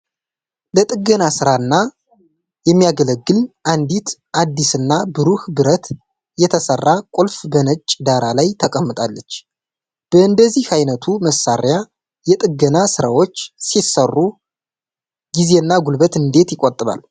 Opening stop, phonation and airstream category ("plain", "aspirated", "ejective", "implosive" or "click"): ejective